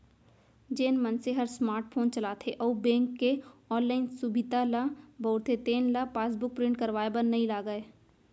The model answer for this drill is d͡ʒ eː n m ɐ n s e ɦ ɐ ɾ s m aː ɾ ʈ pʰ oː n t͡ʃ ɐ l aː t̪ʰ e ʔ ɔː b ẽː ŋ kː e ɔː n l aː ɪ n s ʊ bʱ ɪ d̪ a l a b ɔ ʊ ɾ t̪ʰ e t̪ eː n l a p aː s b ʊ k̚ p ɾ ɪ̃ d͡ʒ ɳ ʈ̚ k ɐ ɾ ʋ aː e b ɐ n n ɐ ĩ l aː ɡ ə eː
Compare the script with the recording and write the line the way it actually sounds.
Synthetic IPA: d͡ʒ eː n m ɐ n s e ɦ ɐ ɾ s m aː ɾ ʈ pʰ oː n t͡ʃ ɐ l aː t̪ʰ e ʔ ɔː b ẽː ŋ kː e ɔː n l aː ɪ n s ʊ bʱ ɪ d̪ a l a b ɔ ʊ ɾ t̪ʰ e t̪ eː n l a p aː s b ʊ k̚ p ɾ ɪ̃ ɳ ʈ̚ k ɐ ɾ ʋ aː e b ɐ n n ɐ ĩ l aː ɡ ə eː

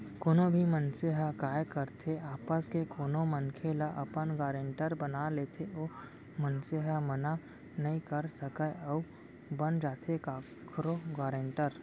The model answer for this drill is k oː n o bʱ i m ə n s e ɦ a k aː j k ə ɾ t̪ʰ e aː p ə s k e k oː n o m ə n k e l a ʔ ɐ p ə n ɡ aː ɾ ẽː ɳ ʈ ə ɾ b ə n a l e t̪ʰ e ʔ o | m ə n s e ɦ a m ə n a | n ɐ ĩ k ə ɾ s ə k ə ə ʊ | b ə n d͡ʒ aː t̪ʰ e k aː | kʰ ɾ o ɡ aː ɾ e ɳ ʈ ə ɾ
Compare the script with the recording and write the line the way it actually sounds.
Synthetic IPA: k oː n o bʱ i m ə n s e ɦ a k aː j k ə ɾ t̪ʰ e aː p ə s k e k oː n o m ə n kʰ e l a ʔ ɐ p ə n ɡ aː ɾ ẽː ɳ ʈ ə ɾ b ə n a l e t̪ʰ e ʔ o | m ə n s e ɦ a m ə n a | n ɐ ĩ k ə ɾ s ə k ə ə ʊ | b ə n d͡ʒ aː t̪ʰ e k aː | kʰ ɾ o ɡ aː ɾ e ɳ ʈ ə ɾ

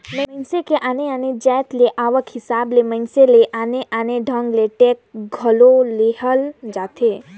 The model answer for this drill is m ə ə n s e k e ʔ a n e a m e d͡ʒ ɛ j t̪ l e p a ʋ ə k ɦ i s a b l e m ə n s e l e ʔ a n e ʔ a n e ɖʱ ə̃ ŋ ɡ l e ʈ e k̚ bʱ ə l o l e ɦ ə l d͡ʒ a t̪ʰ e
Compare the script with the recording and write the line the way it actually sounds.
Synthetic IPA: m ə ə n s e k e ʔ a n e a n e d͡ʒ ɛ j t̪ l e ʔ a ʋ ə k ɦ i s a b l e m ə n s e l e ʔ a n e ʔ a n e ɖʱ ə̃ ŋ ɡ l e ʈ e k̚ ɡʱ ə l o l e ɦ ə l d͡ʒ a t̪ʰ e

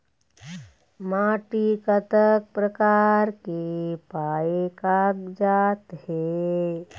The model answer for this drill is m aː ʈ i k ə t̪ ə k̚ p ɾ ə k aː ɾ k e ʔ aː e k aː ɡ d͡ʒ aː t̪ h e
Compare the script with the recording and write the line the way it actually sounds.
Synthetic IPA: m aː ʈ i k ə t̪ ə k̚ p ɾ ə k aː ɾ k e p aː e k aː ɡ d͡ʒ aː t̪ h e

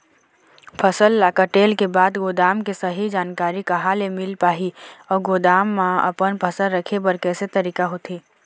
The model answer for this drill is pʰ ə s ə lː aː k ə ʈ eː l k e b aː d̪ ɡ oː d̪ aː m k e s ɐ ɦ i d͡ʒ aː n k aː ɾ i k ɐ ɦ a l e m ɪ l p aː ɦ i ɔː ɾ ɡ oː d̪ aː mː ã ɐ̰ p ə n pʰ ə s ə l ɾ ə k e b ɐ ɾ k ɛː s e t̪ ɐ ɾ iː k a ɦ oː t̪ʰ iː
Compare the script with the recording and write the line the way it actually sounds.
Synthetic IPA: pʰ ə s ə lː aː k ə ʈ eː l k e b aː d̪ ɡ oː d̪ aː m k e s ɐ ɦ i d͡ʒ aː n k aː ɾ i k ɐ ɦ a l e m ɪ l p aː ɦ i ɔː ɾ ɡ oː d̪ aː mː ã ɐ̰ p ə n pʰ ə s ə l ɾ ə kʰ e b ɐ ɾ k ɛː s e t̪ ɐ ɾ iː k a ɦ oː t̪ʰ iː

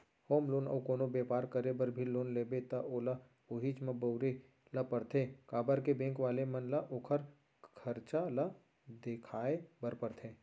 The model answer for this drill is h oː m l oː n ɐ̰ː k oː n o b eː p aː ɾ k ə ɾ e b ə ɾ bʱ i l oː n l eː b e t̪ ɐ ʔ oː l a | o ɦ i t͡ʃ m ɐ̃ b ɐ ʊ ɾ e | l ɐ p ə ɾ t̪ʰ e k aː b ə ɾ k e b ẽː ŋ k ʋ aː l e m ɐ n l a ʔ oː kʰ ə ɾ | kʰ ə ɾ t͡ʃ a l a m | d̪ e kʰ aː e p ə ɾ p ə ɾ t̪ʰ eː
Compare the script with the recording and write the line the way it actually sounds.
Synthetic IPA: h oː m l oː n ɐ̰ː k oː n o b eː p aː ɾ k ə ɾ e b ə ɾ bʱ i l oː n l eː b e t̪ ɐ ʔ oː l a | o ɦ i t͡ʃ m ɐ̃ b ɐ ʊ ɾ e | l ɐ p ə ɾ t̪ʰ e k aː b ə ɾ k e b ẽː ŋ k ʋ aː l e m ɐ n l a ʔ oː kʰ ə ɾ | kʰ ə ɾ t͡ʃ a l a | d̪ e kʰ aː e b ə ɾ p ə ɾ t̪ʰ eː

